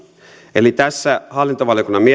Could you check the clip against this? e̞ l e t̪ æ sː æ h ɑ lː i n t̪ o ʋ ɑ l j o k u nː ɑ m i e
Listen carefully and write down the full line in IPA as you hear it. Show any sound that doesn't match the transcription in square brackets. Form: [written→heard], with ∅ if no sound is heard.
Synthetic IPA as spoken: e̞ l [e→i] t̪ æ sː æ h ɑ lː i n t̪ o ʋ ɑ l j o k u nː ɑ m i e